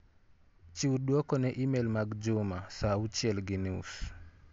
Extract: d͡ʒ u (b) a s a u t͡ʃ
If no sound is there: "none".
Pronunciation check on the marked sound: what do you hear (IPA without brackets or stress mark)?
m